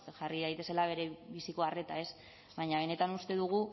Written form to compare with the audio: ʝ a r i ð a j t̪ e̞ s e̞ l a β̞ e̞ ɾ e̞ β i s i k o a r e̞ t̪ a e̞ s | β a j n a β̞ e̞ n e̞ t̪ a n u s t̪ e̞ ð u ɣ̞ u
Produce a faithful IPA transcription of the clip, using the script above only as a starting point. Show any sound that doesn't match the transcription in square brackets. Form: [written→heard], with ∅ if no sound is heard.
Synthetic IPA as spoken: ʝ a r i ð a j t̪ e̞ s e̞ l a β̞ e̞ ɾ e̞ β i s i k o a r e̞ t̪ a e̞ s | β a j [n→ɲ] a β̞ e̞ n e̞ t̪ a n u s t̪ e̞ ð u ɣ̞ u